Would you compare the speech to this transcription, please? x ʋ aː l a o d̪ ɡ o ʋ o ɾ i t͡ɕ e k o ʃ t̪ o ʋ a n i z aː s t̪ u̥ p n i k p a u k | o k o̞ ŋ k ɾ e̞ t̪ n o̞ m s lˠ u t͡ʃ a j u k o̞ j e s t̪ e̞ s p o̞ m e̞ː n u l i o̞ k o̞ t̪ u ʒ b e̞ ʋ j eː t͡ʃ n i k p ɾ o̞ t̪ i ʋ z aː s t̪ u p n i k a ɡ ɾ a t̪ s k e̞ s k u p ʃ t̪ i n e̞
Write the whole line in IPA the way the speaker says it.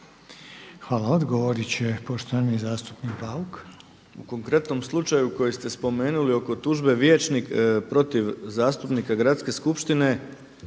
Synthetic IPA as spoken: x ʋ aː l a o d̪ ɡ o ʋ o ɾ i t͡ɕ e p o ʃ t̪ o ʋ a n i z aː s t̪ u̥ p n i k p a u k | u k o̞ ŋ k ɾ e̞ t̪ n o̞ m s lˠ u t͡ʃ a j u k o̞ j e s t̪ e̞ s p o̞ m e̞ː n u l i o̞ k o̞ t̪ u ʒ b e̞ ʋ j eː t͡ʃ n i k p ɾ o̞ t̪ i ʋ z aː s t̪ u p n i k a ɡ ɾ a t̪ s k e̞ s k u p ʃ t̪ i n e̞